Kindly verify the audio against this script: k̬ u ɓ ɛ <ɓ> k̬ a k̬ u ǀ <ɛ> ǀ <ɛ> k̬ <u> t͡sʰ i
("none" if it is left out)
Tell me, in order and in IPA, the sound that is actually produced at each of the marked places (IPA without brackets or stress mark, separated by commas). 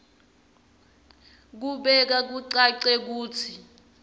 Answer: none, a, ɛ, uː